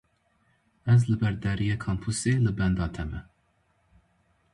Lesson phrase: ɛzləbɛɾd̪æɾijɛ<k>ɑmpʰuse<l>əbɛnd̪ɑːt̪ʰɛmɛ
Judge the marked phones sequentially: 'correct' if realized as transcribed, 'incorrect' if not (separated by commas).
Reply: incorrect, correct